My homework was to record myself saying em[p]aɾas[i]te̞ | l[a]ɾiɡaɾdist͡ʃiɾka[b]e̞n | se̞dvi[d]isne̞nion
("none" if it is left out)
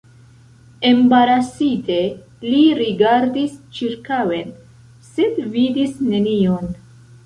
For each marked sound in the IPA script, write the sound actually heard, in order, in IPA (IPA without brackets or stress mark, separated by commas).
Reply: b, i, i, w, d